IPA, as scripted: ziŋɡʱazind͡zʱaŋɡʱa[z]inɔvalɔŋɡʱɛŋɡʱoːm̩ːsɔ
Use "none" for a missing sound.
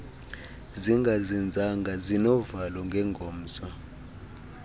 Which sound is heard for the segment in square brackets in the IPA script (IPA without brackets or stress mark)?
z